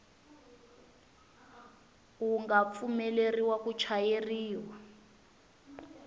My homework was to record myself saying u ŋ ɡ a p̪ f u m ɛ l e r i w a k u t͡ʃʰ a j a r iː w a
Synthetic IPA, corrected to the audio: u ŋ ɡ a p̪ f u m ɛ l e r i w a k u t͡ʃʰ a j e r iː w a

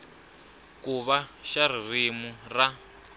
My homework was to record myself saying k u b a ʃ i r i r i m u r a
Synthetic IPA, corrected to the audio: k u β a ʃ a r i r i m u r a

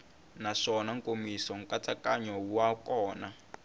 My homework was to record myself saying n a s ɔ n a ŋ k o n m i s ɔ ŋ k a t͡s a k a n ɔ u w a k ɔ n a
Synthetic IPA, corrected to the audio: n a ʂ ɔ n a ŋ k o m i s ɔ ŋ k a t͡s a k a ɲ ɔ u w a k ɔː n a

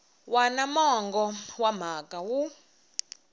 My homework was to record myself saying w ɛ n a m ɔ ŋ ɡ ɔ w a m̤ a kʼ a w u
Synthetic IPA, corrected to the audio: w a n a m ɔ ŋ ɡ ɔ w a m̤ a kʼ a w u

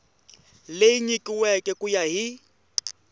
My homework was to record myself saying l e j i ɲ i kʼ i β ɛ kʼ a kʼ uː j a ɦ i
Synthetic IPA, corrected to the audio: l e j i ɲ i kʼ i w ɛ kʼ ɛ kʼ u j a ɦ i

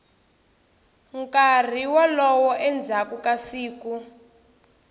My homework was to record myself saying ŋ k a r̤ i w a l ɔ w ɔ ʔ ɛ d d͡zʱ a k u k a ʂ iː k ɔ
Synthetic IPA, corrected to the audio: ŋ k a r̤ i w a l ɔ w ɔ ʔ ɛ n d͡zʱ a k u k a s iː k u

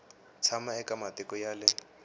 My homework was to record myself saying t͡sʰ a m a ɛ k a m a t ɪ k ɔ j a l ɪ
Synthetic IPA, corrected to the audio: t͡sʰ a m a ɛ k a m a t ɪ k ɔ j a l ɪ

